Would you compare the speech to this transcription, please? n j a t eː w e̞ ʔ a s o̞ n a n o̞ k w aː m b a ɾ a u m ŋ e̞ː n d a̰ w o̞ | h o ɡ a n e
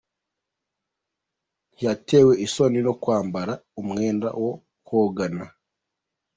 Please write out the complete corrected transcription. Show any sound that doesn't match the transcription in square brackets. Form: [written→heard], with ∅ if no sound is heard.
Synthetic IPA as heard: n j a t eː w e̞ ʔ [a→i] s o̞ n [a→i] n o̞ k w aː m b a ɾ a u m ŋ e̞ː n d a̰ w o̞ | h o ɡ a n [e→a]